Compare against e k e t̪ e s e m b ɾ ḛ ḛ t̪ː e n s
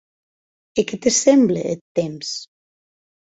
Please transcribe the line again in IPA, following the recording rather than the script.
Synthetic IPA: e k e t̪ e s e m b l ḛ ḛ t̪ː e m s

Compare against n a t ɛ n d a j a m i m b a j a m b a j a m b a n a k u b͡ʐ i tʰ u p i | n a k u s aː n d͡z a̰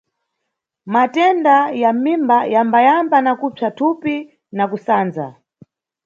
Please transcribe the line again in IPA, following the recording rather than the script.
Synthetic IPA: m a t ɛ n d a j a m i m b a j a m b a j a m b a n a k u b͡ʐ a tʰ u p i | n a k u s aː n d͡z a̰

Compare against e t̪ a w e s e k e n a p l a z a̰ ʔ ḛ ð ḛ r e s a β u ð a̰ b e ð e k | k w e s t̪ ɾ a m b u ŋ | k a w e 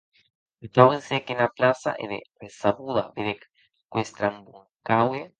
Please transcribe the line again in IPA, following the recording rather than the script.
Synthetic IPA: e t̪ a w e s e k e n a p l a s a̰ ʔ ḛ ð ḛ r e s a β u ð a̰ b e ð e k | k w e s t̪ ɾ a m b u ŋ | k a w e

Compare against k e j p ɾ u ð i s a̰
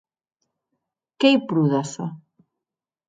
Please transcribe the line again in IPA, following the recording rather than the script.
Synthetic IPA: k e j p ɾ u ð a s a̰

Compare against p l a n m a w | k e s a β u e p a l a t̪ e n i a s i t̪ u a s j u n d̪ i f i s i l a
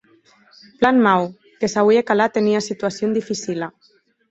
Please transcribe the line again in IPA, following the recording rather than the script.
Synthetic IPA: p l a n m a w | k e s a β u e k a l a t̪ e n i a s i t̪ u a s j o n d̪ i f i s i l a

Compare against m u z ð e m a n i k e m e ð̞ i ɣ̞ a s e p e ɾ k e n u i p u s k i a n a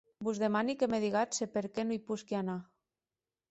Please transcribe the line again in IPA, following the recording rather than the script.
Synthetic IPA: b u z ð e m a n i k e m e ð̞ i ɣ̞ a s e p e ɾ k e n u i p u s k i a n a

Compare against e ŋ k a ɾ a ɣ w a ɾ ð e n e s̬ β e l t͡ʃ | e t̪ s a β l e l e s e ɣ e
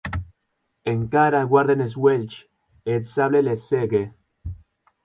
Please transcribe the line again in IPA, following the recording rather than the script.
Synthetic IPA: e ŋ k a ɾ a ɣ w a ɾ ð e n e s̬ w e l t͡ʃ | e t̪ s a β l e l e s e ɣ e

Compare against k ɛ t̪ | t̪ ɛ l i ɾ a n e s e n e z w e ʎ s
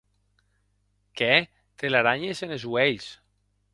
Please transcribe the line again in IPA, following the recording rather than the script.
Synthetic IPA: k ɛ | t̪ e l a ɾ a ɲ e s e n e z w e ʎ s

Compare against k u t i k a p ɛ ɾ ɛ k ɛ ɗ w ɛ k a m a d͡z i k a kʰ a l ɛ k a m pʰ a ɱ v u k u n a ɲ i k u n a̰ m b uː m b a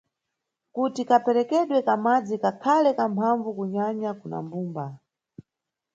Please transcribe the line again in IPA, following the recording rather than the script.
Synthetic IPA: k u t i k a p ɛ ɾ ɛ k ɛ ɗ w ɛ k a m a d͡z i k a kʰ a l ɛ k a m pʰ a ɱ v u k u ɲ a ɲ a k u n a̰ m b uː m b a

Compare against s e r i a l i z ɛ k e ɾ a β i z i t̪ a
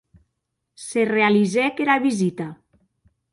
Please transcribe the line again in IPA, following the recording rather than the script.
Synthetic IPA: s e r e a l i z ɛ k e ɾ a β i z i t̪ a

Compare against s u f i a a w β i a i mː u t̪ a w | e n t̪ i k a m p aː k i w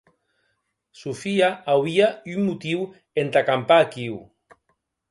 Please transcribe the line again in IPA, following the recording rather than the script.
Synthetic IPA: s u f i a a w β i a y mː u t̪ i w | e n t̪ a k a m p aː k i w

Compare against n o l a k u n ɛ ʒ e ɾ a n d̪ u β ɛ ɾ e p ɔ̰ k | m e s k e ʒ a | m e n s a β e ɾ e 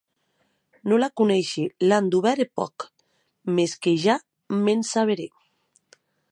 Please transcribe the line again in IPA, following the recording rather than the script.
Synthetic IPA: n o l a k u n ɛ ʃ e l a n d̪ u β ɛ ɾ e p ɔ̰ k | m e s k e ʒ a | m e n s a β e ɾ e

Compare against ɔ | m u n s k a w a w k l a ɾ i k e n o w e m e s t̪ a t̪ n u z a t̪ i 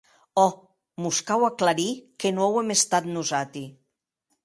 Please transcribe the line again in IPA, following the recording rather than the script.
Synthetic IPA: ɔ | m u s k a w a k l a ɾ i k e n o w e m e s t̪ a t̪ n u z a t̪ i

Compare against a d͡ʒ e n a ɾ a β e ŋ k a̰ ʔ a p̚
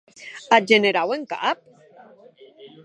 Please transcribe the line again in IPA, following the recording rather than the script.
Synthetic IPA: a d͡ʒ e n e ɾ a w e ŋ k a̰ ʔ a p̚

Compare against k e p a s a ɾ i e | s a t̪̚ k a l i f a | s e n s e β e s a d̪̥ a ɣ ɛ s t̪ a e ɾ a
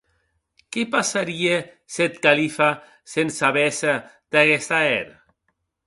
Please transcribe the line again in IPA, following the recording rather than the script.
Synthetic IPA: k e p a s a ɾ i e | s e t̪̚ k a l i f a | s e n s a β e s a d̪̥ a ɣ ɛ s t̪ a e ɾ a

